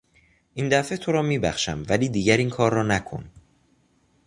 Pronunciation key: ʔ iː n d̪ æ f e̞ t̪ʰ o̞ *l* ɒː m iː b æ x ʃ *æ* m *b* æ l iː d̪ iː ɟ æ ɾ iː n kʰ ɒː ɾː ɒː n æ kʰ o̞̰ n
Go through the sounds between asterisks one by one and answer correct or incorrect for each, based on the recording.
incorrect, correct, incorrect

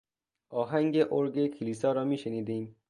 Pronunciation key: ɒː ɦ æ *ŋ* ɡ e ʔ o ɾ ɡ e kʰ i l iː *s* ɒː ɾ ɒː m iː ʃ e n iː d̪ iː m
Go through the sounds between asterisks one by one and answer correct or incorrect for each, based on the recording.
correct, correct

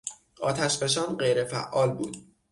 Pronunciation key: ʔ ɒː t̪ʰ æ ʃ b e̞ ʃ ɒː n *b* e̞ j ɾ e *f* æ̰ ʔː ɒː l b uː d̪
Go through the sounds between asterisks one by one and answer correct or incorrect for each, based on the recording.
incorrect, correct

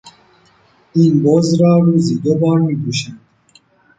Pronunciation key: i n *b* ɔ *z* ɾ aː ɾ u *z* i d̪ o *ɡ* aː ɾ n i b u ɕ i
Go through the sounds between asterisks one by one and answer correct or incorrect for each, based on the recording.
correct, correct, correct, incorrect

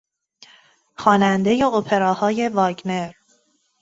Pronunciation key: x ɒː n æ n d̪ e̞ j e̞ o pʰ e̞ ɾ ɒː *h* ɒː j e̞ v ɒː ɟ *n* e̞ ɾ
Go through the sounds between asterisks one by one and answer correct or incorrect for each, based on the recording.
correct, correct

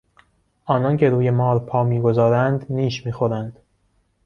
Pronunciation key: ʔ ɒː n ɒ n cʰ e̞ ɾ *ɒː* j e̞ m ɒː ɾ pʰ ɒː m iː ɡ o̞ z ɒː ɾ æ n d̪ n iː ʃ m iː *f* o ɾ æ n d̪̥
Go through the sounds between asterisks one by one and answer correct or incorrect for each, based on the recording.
incorrect, incorrect

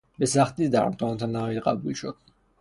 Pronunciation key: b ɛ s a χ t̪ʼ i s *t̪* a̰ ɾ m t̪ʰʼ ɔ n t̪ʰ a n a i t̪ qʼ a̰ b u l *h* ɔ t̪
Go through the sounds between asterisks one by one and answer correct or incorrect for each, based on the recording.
incorrect, incorrect

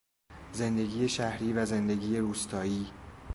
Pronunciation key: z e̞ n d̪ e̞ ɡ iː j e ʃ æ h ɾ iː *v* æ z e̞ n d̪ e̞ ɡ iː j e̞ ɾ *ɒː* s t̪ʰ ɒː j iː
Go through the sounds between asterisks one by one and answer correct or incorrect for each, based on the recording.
correct, incorrect

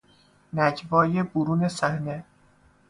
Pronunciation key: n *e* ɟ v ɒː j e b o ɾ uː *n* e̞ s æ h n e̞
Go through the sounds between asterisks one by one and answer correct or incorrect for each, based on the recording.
incorrect, correct

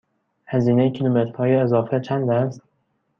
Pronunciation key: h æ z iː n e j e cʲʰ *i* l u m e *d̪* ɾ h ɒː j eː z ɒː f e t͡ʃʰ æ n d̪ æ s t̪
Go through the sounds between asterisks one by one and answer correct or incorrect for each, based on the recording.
correct, incorrect

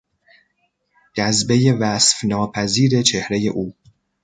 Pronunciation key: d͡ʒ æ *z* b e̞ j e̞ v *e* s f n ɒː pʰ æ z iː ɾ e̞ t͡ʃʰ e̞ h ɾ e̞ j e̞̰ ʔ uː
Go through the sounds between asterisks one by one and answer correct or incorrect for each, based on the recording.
correct, incorrect

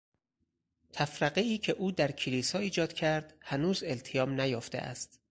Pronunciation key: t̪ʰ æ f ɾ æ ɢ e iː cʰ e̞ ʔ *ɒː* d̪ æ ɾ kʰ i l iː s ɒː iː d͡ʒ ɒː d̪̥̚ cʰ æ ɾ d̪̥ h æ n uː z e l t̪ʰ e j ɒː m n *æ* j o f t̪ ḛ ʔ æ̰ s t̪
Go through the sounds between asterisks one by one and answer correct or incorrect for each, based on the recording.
incorrect, correct

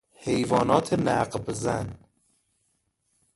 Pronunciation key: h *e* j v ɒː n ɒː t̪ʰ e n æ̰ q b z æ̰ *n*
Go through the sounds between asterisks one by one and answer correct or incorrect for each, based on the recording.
correct, correct

